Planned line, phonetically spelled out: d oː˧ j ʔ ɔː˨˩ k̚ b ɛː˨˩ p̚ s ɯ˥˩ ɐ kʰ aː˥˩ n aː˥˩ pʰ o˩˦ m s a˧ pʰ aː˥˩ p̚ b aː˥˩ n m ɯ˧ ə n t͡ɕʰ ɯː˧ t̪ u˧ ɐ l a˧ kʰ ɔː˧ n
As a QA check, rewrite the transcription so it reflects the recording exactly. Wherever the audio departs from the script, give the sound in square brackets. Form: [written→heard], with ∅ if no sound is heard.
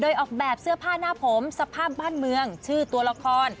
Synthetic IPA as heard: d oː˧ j ʔ ɔː˨˩ k̚ b ɛː˨˩ p̚ s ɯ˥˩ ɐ [kʰ→pʰ] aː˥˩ n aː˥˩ pʰ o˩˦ m s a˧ pʰ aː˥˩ p̚ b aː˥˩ n m ɯ˧ ə [n→ŋ] t͡ɕʰ [ɯː˧→ɯː˥˩] t̪ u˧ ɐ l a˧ kʰ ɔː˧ n